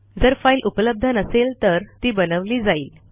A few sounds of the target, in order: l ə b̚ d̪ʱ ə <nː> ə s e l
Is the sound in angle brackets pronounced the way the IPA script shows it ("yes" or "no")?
no